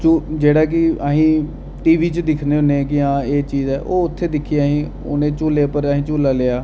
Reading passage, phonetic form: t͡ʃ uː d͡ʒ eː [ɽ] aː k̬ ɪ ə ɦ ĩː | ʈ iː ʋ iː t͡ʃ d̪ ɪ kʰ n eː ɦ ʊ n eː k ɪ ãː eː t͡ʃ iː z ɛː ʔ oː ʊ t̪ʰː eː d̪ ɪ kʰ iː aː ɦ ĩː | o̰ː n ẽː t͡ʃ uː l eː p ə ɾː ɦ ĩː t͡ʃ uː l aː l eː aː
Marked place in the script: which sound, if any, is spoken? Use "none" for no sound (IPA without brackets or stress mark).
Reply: ɽ